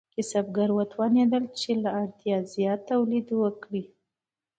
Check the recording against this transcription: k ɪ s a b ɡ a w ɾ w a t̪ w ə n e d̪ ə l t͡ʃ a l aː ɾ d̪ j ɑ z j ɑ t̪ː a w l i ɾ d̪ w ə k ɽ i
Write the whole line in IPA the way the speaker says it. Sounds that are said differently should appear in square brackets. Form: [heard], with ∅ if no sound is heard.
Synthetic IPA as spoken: k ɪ s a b ɡ a [∅] ɾ w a t̪ w [ɑ] n e d̪ ə l t͡ʃ [e] l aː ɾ [t̪] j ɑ z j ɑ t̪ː a w l i [∅] d̪ w ə k ɽ i